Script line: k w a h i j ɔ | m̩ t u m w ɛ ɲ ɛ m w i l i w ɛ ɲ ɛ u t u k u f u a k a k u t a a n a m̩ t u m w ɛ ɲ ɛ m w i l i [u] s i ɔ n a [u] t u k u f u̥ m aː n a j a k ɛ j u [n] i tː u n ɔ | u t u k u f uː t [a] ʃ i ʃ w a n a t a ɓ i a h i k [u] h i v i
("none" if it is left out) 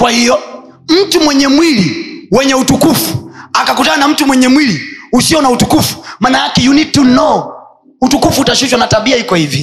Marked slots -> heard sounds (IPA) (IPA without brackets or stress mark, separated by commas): u, u, n, a, ɔ